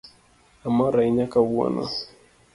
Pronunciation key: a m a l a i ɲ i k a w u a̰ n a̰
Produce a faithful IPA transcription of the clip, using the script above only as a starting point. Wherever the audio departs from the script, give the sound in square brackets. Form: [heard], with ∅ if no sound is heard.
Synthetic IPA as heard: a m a [ɾ] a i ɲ [a] k a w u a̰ n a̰